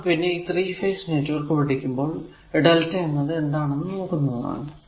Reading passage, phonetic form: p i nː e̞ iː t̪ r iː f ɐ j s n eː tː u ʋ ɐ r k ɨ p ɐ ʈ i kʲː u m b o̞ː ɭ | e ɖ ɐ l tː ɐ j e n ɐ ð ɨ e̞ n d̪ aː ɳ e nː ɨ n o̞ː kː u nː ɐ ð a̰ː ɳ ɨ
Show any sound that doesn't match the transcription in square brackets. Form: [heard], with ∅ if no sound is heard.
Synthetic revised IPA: p i nː e̞ iː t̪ r iː f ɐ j s n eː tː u ʋ ɐ r k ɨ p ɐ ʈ i kʲː u m b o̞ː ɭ | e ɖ ɐ l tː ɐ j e [nː] ɐ ð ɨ e̞ n d̪ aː ɳ e nː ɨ n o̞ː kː u nː ɐ ð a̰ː ɳ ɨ